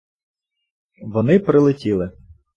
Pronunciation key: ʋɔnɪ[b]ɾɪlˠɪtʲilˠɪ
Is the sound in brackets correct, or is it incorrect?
incorrect